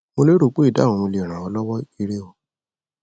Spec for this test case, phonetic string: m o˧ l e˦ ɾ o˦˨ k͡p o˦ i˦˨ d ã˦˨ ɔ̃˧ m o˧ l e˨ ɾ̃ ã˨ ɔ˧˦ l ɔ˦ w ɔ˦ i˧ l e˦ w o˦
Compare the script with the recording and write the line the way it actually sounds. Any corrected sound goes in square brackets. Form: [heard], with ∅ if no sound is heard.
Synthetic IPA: m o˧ l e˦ ɾ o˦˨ k͡p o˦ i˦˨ d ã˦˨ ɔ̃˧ m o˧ l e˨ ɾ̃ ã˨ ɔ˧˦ l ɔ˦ w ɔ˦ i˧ [ɾ] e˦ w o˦